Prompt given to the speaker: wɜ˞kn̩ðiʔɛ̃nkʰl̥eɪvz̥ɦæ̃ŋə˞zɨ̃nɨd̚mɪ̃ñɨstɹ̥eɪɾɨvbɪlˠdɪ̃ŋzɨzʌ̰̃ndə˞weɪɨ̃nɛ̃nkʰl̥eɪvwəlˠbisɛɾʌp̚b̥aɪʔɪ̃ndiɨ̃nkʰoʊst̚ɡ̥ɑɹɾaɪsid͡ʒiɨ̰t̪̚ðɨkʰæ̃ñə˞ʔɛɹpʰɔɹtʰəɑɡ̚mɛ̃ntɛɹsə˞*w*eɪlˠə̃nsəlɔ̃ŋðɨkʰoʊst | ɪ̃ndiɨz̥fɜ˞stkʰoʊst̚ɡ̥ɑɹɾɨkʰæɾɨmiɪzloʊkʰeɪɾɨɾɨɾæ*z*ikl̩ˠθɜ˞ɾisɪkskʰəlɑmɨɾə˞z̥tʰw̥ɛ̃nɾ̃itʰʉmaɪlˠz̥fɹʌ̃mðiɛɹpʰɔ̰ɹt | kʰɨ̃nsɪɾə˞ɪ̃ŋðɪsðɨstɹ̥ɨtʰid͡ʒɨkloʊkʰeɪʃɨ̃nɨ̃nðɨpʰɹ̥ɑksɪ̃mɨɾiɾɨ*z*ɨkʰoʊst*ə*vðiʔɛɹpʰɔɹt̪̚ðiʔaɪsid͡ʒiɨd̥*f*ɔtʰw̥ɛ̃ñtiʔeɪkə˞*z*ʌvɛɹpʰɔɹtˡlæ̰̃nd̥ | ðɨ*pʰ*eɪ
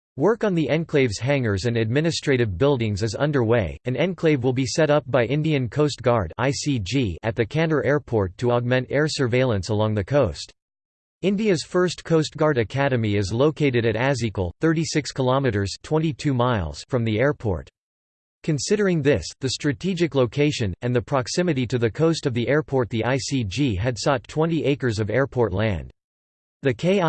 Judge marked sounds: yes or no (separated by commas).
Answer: no, yes, no, no, no, yes, no